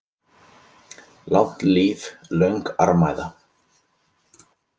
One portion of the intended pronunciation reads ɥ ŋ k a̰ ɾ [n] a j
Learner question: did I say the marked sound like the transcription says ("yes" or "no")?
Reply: no